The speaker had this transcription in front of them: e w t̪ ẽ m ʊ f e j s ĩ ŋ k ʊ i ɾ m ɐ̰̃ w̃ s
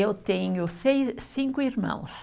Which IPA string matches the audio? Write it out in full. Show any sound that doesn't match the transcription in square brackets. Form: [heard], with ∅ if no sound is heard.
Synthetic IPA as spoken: e w t̪ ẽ [ɲ] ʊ [s] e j s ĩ ŋ k ʊ i ɾ m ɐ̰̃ w̃ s